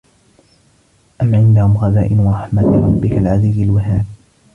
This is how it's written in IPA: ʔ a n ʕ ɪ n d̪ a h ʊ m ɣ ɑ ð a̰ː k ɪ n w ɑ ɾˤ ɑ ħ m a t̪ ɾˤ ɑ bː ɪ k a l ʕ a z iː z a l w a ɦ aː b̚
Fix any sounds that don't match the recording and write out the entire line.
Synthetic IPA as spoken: ʔ a m ʕ ɪ n d̪ a h ʊ m ɣ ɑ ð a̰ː ʔ ɪ n w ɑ ɾˤ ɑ ħ m a t̪ ɾˤ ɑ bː ɪ k a l ʕ a z iː z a l w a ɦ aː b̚